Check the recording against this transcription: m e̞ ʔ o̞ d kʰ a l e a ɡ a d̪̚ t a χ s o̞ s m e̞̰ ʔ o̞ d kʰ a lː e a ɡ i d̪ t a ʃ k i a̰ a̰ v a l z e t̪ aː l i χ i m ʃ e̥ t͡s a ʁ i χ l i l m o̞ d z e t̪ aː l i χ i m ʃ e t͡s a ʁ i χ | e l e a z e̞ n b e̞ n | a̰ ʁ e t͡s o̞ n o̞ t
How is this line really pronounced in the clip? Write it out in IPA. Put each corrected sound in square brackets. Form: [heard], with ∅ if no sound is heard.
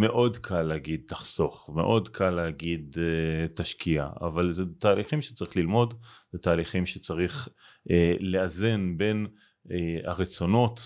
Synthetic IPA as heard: m e̞ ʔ o̞ d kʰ a l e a ɡ [i] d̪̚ t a χ s o̞ [χ] m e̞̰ ʔ o̞ d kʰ a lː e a ɡ i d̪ t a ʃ k i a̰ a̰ v a l z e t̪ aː l i χ i m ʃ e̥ t͡s a ʁ i χ l i l m o̞ d z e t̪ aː l i χ i m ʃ e t͡s a ʁ i χ | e l e a z e̞ n b e̞ n | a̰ ʁ e t͡s o̞ n o̞ t